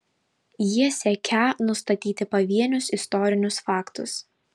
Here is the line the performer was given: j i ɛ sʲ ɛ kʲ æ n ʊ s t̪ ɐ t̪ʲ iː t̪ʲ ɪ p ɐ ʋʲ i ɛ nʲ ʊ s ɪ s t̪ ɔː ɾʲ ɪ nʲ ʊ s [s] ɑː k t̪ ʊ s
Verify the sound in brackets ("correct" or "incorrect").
incorrect